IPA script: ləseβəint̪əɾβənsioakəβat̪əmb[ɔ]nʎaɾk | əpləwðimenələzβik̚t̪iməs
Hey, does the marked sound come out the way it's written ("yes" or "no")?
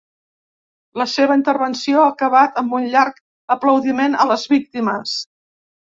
no